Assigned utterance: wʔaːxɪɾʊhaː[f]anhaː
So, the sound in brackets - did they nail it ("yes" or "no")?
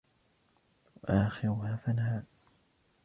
yes